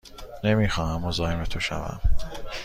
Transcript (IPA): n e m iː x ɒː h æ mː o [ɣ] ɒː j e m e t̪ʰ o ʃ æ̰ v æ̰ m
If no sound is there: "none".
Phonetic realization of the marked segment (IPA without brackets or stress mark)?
z